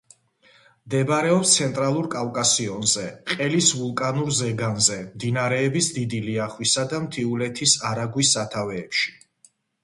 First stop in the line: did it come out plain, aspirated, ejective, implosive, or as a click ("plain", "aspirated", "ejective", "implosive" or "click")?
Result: plain